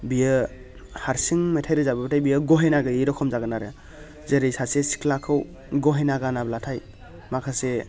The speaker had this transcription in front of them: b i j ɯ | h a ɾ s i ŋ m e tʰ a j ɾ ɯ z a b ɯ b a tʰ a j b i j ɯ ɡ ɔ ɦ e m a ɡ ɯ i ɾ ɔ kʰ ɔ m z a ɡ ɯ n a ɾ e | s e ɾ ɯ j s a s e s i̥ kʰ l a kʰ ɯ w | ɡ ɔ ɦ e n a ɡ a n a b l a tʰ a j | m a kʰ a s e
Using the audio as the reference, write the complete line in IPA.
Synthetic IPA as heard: b i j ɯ | h a ɾ s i ŋ m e tʰ a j ɾ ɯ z a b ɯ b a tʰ a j b i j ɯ ɡ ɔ ɦ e n a ɡ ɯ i ɾ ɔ kʰ ɔ m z a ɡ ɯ n a ɾ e | z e ɾ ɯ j s a s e s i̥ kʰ l a kʰ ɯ w | ɡ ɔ ɦ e n a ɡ a n a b l a tʰ a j | m a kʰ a s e